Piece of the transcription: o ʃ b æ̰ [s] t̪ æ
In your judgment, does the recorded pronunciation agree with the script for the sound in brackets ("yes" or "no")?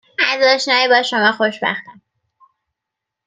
no